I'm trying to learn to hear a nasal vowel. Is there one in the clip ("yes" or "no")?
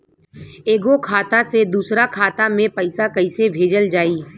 yes